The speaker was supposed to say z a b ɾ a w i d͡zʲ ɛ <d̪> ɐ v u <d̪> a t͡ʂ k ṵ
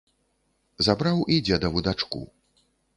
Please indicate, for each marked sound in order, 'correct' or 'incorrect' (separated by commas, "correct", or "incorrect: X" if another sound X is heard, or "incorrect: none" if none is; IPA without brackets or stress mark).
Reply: correct, correct